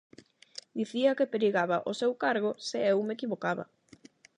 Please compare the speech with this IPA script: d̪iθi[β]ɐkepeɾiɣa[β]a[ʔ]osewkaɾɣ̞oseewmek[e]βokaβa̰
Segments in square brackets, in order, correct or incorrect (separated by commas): incorrect, correct, correct, incorrect